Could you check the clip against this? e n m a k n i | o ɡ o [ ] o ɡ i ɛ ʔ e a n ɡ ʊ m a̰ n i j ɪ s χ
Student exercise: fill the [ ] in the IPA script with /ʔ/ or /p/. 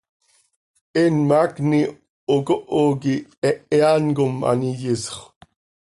ʔ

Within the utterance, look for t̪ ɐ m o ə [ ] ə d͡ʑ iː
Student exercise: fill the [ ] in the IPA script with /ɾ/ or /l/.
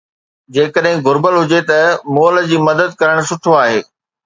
l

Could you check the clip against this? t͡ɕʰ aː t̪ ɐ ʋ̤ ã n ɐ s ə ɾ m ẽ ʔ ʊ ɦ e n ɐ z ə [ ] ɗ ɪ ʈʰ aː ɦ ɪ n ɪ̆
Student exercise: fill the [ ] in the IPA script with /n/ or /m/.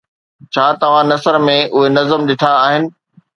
m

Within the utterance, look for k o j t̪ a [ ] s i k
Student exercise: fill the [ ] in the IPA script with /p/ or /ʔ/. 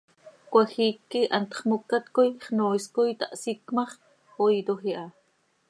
ʔ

